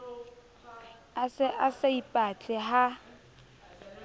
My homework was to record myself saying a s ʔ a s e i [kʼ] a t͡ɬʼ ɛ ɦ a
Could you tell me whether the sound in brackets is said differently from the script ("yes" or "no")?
yes